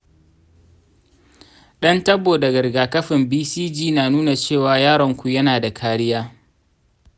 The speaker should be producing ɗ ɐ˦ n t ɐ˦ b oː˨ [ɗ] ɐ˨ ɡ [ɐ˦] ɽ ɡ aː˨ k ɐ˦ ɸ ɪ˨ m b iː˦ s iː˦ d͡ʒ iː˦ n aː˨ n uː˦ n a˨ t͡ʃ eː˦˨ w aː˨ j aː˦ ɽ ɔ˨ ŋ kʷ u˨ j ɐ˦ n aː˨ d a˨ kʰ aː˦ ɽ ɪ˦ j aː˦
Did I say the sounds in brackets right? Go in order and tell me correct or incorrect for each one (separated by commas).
incorrect, incorrect